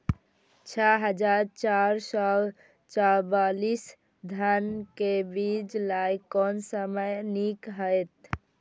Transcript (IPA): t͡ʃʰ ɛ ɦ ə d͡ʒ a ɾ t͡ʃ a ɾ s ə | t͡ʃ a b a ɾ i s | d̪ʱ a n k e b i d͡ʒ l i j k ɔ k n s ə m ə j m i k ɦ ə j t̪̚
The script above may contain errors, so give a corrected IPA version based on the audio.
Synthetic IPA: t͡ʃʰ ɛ ɦ ə d͡ʒ a ɾ t͡ʃ a ɾ s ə | t͡ʃ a b a l i s | d̪ʱ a n k e b i d͡ʒ l a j k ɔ n s ə m ə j n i k ɦ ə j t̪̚